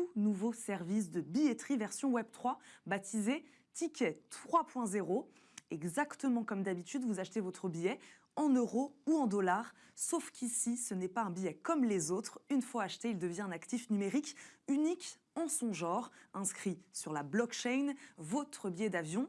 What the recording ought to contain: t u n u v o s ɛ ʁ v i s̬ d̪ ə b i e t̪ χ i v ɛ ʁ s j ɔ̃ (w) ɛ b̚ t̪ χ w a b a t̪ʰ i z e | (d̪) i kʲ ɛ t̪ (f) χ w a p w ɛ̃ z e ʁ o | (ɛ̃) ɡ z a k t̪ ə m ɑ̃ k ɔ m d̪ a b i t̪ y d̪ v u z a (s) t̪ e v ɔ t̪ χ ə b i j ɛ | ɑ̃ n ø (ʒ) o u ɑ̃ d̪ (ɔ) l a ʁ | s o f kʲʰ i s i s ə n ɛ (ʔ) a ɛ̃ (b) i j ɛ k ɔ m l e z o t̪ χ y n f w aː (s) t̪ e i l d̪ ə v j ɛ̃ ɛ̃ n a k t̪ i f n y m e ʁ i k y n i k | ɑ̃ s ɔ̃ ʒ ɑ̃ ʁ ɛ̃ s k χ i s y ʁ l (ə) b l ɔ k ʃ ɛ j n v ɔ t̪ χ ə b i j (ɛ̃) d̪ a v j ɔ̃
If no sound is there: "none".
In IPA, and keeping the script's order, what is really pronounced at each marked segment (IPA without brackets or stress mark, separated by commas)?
w, t̪, χ, ɛ, ʃ, ʁ, ɔ, p, b, ʃ, a, ɛ